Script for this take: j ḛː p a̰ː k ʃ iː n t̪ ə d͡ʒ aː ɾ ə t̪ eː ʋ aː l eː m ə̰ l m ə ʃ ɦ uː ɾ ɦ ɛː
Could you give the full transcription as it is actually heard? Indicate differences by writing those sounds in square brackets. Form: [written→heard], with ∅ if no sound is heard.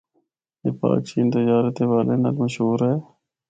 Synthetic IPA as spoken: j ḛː p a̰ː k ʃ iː n t̪ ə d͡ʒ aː ɾ ə t̪ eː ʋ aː l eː [m→n] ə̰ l m ə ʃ ɦ uː ɾ ɦ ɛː